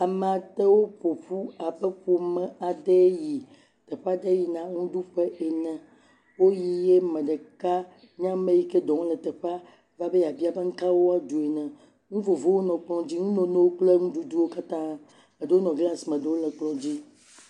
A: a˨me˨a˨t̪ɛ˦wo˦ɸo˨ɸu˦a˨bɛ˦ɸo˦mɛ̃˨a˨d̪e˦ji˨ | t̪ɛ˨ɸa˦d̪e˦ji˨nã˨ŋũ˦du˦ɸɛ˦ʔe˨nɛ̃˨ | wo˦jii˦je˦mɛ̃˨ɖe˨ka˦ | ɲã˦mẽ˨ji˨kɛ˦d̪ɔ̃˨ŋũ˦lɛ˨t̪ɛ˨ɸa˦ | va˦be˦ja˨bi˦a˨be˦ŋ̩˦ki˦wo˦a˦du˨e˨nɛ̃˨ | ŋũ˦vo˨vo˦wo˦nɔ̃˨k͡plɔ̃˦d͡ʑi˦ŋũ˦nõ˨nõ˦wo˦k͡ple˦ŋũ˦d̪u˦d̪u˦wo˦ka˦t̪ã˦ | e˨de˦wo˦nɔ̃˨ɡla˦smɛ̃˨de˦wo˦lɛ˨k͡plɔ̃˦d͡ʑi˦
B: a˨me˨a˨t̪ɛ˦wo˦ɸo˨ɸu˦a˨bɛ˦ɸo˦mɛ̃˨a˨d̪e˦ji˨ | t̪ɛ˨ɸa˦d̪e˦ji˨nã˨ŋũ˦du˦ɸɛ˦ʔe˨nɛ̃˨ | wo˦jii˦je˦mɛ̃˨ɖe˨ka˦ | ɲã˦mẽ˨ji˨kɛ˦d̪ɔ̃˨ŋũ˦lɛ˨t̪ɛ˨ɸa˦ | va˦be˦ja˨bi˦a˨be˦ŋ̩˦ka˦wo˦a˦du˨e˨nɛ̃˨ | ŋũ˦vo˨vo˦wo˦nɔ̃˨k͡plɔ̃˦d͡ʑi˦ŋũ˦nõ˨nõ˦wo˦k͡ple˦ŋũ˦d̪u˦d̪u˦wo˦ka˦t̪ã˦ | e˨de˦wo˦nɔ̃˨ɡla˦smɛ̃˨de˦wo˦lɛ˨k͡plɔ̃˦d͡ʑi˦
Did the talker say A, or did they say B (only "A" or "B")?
B